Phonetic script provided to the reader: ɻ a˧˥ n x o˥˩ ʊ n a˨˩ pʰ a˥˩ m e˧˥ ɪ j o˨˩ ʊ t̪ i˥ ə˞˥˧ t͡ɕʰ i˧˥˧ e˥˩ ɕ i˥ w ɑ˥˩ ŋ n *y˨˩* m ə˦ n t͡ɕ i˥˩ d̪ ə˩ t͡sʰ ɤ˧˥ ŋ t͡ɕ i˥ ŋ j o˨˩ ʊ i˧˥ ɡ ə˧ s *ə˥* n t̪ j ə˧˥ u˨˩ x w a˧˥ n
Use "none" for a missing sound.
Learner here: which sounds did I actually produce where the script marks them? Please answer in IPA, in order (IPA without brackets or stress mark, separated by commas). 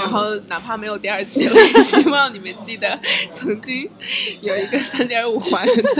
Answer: i˨˩, a˥